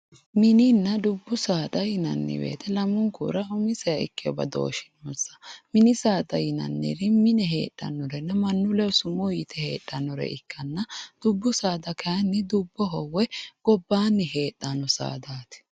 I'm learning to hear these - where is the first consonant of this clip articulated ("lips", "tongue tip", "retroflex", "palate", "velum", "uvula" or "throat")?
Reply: lips